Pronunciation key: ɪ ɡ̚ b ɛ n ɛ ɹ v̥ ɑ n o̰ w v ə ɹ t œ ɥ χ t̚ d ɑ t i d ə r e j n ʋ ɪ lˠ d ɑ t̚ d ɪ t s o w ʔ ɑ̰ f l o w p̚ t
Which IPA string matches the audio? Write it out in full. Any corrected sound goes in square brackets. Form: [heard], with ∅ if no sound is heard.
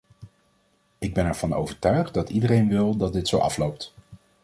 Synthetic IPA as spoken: ɪ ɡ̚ b ɛ n ɛ ɹ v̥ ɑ n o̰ w v ə ɹ t œ ɥ χ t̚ d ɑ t i d ə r e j n ʋ ɪ lˠ d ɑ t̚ d ɪ t s o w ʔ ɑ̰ f l o w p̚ t